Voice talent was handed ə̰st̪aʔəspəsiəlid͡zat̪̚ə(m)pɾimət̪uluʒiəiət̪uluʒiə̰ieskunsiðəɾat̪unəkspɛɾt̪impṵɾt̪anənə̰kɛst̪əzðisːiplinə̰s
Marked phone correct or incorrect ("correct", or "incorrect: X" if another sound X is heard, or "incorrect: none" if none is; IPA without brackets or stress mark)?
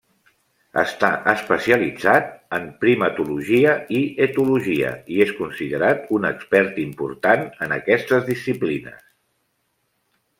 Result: correct